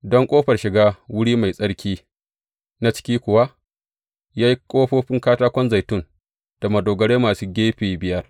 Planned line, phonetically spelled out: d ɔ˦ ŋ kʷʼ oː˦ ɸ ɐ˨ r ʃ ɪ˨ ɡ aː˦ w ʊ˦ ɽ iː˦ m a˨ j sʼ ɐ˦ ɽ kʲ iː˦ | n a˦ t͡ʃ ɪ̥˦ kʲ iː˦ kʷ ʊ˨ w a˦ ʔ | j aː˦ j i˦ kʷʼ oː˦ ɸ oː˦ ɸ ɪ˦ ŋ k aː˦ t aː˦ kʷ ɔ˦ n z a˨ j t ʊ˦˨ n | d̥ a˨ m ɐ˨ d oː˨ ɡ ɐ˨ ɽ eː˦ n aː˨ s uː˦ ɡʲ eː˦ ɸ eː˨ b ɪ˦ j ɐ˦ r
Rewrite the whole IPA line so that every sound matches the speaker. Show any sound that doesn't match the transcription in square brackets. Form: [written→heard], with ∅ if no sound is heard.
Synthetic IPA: d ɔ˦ ŋ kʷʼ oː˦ ɸ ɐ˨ r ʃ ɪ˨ ɡ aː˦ w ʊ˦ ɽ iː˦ m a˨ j sʼ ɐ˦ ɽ kʲ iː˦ | n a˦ t͡ʃ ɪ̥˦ kʲ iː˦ kʷ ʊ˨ w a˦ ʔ | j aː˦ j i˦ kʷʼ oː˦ ɸ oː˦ ɸ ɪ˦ ŋ k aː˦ t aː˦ kʷ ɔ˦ n z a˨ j t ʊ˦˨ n | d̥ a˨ m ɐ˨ d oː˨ ɡ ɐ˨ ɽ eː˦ [n→m] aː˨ s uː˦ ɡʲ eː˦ ɸ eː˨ b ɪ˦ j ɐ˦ r